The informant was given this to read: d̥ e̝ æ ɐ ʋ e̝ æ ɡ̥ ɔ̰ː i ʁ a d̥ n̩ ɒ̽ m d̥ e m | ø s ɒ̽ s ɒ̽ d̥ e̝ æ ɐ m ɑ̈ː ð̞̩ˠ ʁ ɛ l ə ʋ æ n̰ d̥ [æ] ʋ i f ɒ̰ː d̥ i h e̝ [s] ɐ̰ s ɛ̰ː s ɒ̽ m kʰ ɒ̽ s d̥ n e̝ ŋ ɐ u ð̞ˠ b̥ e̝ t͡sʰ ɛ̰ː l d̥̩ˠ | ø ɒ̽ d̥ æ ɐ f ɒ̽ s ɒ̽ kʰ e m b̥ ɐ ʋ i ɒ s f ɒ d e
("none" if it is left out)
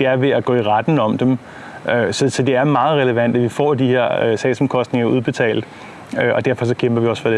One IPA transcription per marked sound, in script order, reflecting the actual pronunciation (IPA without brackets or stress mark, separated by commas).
æ, none